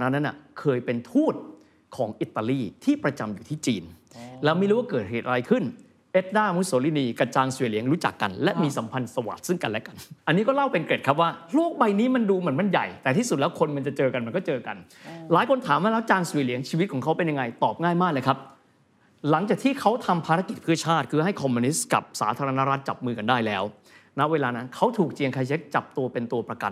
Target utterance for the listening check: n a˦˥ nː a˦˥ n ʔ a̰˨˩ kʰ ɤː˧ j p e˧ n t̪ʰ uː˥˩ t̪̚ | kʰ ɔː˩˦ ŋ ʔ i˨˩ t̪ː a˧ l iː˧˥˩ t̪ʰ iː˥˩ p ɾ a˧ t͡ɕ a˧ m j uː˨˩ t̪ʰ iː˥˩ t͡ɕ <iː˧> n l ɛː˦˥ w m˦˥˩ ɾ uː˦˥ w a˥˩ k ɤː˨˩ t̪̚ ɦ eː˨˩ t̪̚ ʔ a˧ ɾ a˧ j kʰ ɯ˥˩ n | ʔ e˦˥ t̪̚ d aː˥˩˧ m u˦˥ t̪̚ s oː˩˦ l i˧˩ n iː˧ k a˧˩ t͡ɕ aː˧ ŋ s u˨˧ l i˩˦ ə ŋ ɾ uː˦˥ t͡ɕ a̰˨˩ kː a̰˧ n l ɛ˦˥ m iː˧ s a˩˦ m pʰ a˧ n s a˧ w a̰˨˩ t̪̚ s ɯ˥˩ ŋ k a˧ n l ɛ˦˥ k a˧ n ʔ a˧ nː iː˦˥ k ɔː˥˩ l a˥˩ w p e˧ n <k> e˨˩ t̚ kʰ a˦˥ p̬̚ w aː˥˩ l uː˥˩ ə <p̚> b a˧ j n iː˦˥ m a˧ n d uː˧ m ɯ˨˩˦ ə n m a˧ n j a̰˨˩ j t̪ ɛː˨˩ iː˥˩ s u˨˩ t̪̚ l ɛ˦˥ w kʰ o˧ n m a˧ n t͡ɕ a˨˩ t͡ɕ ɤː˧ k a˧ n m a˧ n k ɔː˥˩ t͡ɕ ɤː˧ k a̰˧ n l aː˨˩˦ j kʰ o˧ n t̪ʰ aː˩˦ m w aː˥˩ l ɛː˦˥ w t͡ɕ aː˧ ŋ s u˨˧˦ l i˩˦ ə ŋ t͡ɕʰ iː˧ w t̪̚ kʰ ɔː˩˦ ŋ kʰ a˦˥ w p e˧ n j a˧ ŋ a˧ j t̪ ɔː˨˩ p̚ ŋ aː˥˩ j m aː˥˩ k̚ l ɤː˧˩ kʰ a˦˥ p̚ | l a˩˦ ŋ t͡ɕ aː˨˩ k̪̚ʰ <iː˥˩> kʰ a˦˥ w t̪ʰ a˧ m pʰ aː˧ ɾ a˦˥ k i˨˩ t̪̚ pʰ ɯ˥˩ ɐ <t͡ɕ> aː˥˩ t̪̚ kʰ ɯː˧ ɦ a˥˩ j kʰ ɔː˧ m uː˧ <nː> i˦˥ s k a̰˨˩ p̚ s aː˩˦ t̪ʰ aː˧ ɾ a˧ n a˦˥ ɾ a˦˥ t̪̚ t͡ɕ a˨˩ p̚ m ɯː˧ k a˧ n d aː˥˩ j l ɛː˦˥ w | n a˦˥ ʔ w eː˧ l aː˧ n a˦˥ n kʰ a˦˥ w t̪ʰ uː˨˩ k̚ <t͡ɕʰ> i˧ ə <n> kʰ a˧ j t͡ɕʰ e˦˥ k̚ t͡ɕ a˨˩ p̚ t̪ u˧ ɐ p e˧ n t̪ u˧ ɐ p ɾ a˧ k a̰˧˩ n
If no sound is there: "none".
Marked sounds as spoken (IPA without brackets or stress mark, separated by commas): iː˧, k, k̚, iː˥˩, t͡ɕʰ, n, t͡ɕ, ŋ